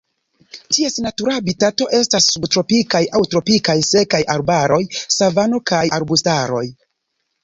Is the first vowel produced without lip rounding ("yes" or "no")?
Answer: yes